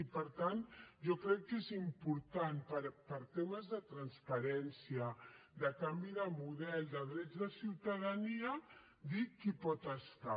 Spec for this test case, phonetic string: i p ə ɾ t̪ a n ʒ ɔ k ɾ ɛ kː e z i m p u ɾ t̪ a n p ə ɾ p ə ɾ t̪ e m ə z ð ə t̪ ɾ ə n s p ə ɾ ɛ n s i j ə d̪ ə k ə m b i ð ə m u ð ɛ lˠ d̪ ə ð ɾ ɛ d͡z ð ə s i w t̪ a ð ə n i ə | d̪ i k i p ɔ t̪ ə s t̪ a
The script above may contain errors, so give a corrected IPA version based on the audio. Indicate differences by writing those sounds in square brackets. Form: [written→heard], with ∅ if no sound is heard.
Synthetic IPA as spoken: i p ə ɾ t̪ a n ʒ ɔ k ɾ ɛ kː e z i m p u ɾ t̪ a n p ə ɾ p ə ɾ t̪ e m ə z ð ə t̪ ɾ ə n s p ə ɾ ɛ n s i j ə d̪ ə k [ə→a] m b i ð ə m u ð ɛ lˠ d̪ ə ð ɾ ɛ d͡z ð ə s i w t̪ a ð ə n i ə | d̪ i k i p ɔ t̪ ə s t̪ a